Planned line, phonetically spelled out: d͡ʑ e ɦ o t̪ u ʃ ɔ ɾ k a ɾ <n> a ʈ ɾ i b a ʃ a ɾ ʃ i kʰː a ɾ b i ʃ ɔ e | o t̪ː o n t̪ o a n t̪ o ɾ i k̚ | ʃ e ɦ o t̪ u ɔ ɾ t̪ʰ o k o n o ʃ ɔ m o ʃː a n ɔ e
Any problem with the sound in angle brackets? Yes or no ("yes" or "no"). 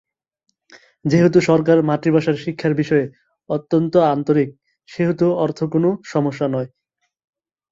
yes